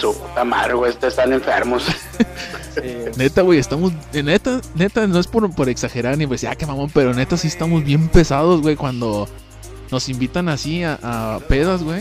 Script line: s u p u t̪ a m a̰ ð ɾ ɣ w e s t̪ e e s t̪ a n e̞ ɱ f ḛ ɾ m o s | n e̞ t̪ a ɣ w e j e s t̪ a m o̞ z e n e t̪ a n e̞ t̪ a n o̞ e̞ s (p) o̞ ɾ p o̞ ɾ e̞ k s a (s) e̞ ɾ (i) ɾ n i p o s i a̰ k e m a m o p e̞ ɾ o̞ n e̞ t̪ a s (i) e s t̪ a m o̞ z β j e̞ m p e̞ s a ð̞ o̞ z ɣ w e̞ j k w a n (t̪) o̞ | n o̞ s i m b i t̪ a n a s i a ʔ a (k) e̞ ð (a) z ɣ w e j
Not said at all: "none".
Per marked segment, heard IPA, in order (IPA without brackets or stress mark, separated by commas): p, x, a, i, d̪, p, a